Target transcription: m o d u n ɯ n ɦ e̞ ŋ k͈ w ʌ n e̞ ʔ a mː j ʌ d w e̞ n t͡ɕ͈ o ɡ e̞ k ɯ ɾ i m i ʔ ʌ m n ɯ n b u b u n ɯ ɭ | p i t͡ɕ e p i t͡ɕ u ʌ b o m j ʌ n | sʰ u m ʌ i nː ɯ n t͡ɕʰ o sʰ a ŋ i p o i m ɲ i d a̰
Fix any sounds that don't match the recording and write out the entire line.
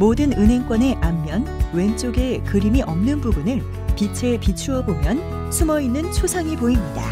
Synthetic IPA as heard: m o d ɯ n ɯ n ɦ e̞ ŋ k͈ w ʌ n e̞ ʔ a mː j ʌ n w e̞ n t͡ɕ͈ o ɡ e̞ k ɯ ɾ i m i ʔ ʌ m n ɯ n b u b u n ɯ ɭ | p i t͡ɕʰ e p i t͡ɕʰ u ʌ b o m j ʌ n | sʰ u m ʌ i nː ɯ n t͡ɕʰ o sʰ a ŋ i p o i m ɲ i d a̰